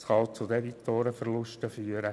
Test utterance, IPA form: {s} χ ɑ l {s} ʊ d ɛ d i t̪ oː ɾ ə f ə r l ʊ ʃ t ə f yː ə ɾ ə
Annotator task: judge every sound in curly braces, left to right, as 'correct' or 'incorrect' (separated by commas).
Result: correct, incorrect